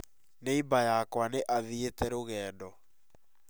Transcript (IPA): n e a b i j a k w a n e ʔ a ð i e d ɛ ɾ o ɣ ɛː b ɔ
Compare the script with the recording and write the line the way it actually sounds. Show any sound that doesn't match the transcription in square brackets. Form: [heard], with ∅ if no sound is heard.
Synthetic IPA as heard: n e [i] b [a] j a k w a n e ʔ a ð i e [t] ɛ ɾ o ɣ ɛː [d] ɔ